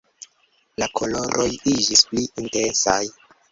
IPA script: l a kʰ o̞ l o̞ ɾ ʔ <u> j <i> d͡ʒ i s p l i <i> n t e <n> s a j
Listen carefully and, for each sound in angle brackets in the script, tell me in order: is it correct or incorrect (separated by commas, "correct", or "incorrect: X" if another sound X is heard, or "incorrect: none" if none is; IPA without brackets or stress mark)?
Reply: incorrect: o, correct, correct, correct